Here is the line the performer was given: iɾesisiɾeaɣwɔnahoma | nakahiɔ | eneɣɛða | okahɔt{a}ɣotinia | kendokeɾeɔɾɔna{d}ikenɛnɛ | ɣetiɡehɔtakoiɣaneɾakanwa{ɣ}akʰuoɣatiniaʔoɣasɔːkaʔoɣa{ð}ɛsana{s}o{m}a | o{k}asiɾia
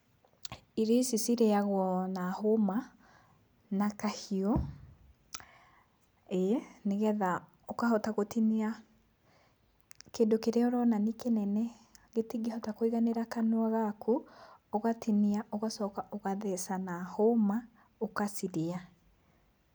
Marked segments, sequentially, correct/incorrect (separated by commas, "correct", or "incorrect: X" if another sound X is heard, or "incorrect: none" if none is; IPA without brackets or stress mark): correct, incorrect: n, correct, correct, incorrect: h, correct, correct